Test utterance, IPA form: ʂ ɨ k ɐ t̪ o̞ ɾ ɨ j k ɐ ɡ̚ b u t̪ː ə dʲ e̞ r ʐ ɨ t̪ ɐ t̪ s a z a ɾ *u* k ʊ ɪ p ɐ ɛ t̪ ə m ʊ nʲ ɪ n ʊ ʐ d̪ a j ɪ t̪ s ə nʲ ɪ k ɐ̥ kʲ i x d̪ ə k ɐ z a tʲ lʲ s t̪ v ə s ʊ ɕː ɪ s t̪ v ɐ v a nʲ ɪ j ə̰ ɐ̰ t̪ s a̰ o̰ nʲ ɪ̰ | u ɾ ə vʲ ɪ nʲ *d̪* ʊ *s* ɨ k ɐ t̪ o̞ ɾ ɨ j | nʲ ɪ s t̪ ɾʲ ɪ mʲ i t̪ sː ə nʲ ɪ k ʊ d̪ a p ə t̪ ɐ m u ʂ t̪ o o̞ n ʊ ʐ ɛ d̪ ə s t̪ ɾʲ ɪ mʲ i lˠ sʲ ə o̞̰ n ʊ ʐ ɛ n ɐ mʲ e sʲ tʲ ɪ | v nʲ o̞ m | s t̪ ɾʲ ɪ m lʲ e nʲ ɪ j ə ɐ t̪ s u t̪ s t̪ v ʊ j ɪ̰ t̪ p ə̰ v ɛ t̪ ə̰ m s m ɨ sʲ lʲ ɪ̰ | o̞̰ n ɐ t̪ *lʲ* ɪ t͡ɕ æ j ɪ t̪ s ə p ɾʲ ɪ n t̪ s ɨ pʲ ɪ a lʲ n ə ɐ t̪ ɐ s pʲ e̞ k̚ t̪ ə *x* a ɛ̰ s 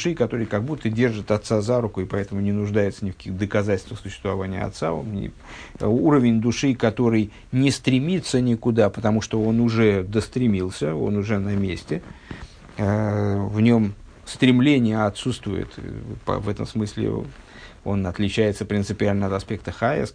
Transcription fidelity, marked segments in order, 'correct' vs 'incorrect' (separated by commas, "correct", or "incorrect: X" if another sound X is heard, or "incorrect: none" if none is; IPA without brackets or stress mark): incorrect: ʊ, correct, incorrect: ʂ, correct, correct